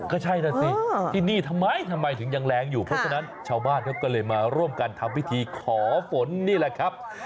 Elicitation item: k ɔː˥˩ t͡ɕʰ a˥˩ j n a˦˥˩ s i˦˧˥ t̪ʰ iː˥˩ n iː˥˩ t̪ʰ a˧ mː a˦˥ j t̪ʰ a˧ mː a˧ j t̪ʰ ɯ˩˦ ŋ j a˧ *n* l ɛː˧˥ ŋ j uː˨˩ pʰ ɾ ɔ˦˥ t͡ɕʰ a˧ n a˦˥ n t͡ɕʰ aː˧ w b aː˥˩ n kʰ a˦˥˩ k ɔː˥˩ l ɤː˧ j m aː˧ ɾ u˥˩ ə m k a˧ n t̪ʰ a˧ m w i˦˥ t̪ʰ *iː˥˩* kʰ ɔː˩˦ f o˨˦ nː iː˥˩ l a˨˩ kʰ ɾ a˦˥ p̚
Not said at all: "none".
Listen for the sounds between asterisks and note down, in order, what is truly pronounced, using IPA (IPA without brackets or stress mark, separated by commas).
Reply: ŋ, iː˧